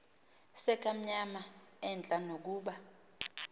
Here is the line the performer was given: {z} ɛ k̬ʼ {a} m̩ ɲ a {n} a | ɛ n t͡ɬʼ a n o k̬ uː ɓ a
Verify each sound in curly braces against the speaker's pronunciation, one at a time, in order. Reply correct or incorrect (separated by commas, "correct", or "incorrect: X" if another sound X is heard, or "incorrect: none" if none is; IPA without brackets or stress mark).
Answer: incorrect: s, correct, incorrect: m